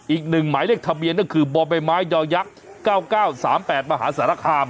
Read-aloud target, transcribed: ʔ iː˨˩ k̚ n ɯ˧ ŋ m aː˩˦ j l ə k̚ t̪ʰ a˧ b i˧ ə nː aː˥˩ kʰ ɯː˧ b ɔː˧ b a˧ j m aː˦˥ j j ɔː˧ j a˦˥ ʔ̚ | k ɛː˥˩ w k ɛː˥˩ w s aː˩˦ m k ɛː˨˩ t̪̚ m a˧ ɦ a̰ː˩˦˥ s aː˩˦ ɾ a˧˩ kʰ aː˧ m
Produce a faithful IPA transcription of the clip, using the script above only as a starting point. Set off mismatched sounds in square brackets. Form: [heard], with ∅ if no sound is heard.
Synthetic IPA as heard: ʔ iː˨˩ k̚ n [ɯ˨˩] ŋ m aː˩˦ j l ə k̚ t̪ʰ a˧ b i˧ ə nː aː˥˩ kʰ ɯː˧ b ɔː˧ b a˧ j m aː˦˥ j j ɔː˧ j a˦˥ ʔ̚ | k [aː˥˩] w k [aː˥˩] w s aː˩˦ m [p] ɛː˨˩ t̪̚ m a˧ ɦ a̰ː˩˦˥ s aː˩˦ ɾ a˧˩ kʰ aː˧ m